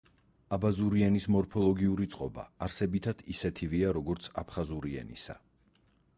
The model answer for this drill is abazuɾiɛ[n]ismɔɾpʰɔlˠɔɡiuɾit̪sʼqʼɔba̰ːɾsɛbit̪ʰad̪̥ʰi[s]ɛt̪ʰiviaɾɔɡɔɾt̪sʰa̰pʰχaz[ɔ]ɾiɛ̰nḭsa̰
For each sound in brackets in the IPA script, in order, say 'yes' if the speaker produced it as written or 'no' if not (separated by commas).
yes, yes, no